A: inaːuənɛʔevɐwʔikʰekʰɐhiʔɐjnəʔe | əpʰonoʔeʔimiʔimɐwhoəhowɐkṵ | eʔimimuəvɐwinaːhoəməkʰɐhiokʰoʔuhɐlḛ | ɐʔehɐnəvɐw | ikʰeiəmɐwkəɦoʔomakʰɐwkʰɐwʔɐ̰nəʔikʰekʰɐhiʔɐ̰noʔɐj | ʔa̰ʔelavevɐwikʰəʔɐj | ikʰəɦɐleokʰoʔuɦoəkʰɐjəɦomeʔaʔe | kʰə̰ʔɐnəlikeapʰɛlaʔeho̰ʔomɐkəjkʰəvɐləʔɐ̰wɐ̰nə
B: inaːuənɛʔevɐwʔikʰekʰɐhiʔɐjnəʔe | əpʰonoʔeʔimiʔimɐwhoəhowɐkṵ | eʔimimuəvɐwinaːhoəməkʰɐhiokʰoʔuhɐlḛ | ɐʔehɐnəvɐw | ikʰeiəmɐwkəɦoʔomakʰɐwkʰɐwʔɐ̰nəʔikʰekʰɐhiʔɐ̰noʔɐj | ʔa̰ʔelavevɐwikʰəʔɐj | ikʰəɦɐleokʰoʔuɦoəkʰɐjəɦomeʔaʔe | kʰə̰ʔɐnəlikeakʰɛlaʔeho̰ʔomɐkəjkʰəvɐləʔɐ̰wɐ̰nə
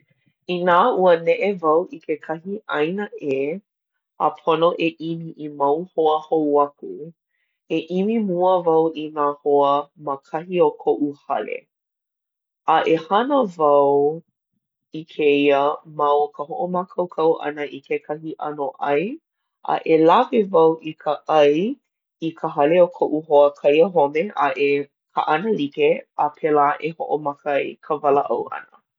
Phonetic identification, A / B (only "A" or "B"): A